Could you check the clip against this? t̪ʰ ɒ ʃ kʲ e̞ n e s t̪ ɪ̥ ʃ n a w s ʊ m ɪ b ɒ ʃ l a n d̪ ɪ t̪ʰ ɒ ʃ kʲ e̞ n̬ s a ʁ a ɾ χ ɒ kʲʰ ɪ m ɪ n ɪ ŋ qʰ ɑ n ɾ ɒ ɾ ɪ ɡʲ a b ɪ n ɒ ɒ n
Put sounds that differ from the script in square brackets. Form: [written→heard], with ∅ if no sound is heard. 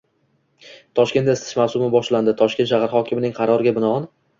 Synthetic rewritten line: t̪ʰ ɒ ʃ kʲ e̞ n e s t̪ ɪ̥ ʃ [n→m] a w s ʊ m ɪ b ɒ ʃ l a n d̪ ɪ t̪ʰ ɒ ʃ kʲ e̞ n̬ [s→ʃ] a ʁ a ɾ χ ɒ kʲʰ ɪ m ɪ n ɪ ŋ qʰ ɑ [n→∅] ɾ ɒ ɾ ɪ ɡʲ a b ɪ n ɒ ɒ n